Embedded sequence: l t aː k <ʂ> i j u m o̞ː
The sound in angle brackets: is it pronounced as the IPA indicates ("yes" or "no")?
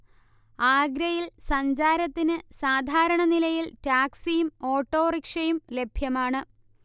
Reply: no